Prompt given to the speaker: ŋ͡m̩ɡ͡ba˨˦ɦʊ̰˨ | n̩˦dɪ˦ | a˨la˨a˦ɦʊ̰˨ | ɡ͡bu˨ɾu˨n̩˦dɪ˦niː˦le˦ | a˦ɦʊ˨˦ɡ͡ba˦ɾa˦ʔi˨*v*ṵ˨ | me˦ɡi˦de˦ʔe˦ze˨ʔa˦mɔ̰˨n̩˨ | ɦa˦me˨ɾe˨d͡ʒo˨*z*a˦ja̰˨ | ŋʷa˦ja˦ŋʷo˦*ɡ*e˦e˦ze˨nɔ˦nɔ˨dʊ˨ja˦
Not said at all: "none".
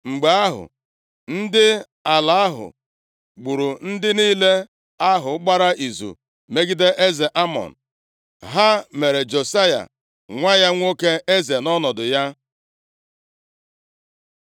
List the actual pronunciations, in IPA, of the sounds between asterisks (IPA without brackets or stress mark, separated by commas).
z, s, k